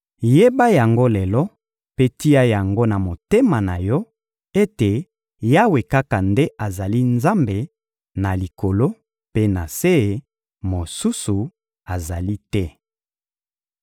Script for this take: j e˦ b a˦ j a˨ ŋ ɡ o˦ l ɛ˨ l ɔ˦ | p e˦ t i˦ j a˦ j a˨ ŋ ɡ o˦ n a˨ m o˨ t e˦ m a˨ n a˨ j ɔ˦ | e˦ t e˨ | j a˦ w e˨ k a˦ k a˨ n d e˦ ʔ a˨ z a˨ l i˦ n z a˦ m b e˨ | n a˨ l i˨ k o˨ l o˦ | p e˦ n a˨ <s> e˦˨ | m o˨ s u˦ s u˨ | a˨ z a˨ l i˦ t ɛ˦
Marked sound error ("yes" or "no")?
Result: no